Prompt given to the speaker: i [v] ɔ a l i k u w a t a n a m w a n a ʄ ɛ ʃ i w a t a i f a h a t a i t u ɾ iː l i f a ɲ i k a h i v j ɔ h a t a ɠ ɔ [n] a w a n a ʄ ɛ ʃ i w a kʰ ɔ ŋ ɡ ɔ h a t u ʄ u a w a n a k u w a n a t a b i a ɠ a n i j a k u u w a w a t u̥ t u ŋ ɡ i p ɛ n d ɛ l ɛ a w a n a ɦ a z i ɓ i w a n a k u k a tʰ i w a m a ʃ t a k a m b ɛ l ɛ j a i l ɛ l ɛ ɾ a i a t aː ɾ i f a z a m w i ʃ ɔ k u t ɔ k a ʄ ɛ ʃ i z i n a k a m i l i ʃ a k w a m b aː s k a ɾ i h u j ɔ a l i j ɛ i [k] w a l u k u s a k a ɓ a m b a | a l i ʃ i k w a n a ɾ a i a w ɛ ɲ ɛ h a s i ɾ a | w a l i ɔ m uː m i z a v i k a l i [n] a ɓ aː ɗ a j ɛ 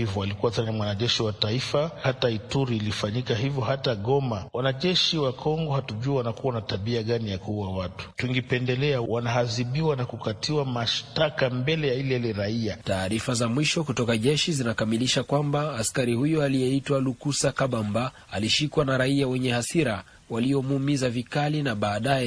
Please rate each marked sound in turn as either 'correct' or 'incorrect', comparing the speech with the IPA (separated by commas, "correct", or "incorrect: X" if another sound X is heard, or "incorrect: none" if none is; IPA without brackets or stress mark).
correct, incorrect: m, incorrect: t, correct